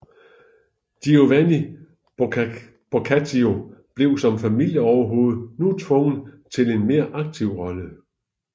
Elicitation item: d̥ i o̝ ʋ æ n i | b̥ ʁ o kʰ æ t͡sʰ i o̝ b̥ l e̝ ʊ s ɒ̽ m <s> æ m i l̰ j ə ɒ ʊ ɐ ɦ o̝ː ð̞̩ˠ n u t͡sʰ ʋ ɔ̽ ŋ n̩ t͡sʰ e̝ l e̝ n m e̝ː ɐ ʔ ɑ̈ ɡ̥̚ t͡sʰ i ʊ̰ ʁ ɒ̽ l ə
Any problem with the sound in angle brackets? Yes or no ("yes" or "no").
yes